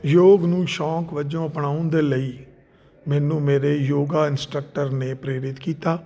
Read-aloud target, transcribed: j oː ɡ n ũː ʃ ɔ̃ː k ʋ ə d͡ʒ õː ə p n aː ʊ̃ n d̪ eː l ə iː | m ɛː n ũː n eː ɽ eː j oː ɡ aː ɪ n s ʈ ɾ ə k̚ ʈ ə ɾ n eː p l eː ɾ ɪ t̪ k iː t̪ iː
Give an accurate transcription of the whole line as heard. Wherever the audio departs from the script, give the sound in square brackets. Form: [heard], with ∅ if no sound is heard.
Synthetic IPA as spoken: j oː ɡ n ũː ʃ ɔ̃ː k ʋ ə d͡ʒ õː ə p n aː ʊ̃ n d̪ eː l ə iː | m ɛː n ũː [m] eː [ɾ] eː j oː ɡ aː ɪ n s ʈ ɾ ə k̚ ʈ ə ɾ n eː p [ɾ] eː ɾ ɪ t̪ k iː t̪ [aː]

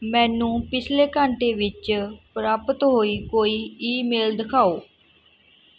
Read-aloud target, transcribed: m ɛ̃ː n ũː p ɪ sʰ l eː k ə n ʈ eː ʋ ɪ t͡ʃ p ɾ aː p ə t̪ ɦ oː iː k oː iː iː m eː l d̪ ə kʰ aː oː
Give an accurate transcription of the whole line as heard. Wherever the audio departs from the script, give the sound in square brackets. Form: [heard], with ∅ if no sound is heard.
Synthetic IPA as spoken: m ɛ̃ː n ũː p ɪ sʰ l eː k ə [ɳ] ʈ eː ʋ ɪ t͡ʃ p ɾ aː p ə t̪ ɦ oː iː k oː iː iː m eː l d̪ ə kʰ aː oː

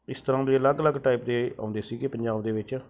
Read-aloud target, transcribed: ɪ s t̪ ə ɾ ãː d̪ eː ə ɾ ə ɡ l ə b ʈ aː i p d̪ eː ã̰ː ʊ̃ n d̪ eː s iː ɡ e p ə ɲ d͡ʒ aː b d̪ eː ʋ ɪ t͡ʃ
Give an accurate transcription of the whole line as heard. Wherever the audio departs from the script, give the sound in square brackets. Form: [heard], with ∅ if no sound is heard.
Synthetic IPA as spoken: ɪ s t̪ ə ɾ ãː d̪ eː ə [l] ə ɡ l ə [ɡ] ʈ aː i p d̪ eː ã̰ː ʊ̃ n d̪ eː s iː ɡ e p ə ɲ d͡ʒ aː b d̪ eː ʋ ɪ t͡ʃ

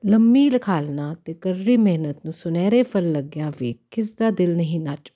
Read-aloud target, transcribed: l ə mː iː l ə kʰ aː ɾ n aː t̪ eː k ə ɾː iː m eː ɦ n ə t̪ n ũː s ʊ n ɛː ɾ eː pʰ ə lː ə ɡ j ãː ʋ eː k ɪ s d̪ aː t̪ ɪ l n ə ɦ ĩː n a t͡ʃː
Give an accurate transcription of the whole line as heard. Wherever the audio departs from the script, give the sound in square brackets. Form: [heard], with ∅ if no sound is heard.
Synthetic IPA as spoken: l ə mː iː l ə kʰ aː [l] n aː t̪ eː k ə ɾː iː m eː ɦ n ə t̪ n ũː s ʊ n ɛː ɾ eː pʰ ə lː ə ɡ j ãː ʋ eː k ɪ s d̪ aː [d̪] ɪ l n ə ɦ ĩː n a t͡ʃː

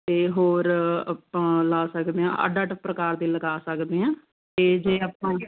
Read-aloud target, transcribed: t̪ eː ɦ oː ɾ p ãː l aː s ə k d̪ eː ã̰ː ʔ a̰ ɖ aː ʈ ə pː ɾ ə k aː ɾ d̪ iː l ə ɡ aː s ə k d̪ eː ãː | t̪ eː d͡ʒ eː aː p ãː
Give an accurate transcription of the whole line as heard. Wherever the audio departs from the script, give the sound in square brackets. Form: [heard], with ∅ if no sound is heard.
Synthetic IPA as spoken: t̪ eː ɦ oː ɾ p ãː l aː s ə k d̪ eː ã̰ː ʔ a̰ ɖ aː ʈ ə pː ɾ ə k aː ɾ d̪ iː l ə ɡ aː s ə k d̪ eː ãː | t̪ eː d͡ʒ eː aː p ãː

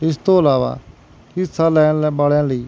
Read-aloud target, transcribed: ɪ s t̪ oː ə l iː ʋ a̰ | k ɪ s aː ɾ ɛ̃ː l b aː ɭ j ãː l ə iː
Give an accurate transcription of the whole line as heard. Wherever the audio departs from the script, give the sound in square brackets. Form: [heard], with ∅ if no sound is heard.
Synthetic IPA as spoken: ɪ s t̪ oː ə l [aː] ʋ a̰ | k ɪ s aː [l] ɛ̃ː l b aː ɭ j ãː l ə iː

